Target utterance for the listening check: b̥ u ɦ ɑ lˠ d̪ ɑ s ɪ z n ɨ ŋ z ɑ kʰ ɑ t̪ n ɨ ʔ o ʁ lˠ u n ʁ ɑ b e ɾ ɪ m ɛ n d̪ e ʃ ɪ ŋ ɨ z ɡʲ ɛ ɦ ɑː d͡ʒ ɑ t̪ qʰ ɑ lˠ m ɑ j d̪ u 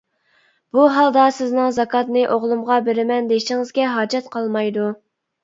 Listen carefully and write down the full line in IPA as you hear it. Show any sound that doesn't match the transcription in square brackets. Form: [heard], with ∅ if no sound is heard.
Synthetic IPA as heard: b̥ u ɦ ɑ lˠ d̪ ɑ s ɪ z n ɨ ŋ z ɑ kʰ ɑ t̪ n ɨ ʔ o ʁ lˠ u [m] ʁ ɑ b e ɾ ɪ m ɛ n d̪ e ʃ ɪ ŋ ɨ z ɡʲ ɛ ɦ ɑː d͡ʒ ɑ t̪ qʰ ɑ lˠ m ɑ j d̪ u